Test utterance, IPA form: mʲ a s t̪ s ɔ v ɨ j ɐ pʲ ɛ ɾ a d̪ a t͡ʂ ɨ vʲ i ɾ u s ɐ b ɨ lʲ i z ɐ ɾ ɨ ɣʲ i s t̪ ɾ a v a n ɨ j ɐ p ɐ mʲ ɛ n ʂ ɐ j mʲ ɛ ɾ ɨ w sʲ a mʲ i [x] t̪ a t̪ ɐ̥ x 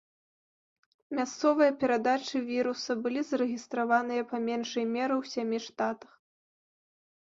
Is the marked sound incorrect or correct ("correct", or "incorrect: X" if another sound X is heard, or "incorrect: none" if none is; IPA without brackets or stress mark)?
incorrect: ʂ